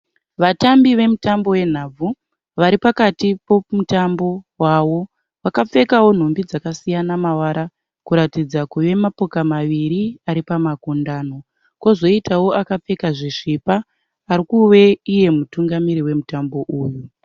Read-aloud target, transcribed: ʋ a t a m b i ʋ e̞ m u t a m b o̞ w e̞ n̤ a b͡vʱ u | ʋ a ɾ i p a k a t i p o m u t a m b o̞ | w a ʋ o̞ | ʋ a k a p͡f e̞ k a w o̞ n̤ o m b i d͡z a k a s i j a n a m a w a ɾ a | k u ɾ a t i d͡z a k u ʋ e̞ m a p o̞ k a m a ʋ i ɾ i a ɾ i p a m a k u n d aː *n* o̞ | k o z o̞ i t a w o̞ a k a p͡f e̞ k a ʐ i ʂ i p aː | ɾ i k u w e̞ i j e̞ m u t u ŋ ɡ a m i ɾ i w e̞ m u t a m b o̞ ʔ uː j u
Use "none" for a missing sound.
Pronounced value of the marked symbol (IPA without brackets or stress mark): n